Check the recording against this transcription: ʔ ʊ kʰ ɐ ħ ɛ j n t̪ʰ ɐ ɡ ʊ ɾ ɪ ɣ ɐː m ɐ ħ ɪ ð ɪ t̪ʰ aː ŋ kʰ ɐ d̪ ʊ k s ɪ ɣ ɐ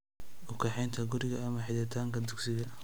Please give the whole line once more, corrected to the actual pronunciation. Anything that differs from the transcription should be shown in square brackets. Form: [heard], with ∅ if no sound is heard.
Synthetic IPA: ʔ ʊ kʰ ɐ ħ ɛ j n t̪ʰ ɐ ɡ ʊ ɾ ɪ ɣ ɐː m ɐ ħ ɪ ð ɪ t̪ʰ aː ŋ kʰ ɐ d̪ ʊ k s ɪ ɣ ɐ